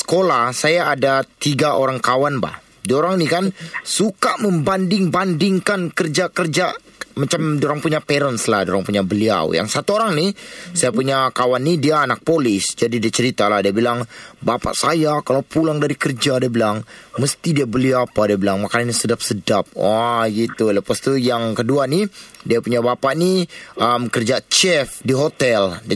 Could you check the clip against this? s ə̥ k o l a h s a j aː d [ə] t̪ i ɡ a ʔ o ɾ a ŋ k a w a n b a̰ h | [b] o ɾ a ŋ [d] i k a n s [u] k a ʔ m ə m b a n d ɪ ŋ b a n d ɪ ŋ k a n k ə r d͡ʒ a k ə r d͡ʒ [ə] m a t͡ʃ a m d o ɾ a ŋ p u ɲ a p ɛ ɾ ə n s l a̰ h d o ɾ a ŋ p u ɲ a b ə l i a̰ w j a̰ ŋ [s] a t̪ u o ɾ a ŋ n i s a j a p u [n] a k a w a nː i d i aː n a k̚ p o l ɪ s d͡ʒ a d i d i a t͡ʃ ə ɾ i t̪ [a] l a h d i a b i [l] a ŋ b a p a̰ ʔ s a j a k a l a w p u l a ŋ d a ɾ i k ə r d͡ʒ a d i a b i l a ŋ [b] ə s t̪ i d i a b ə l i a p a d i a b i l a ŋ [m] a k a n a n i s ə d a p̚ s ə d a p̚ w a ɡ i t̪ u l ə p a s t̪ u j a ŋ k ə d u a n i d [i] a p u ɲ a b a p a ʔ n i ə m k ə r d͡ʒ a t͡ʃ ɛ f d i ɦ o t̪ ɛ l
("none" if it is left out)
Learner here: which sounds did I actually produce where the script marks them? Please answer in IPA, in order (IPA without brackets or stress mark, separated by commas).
a, d, n, u, a, s, ɲ, a, l, m, m, i